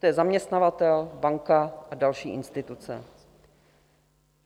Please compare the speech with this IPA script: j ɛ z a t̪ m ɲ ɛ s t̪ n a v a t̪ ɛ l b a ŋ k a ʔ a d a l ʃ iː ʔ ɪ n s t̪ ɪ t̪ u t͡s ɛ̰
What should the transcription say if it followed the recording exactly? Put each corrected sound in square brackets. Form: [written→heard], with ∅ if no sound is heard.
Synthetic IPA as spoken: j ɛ z a [t̪→∅] m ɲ ɛ s t̪ n a v a t̪ ɛ l b a ŋ k a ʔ a d a l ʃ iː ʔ ɪ n s t̪ ɪ t̪ u t͡s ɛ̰